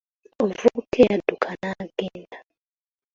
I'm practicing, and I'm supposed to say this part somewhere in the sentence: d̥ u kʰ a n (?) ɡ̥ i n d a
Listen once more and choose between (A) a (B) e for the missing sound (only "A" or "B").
A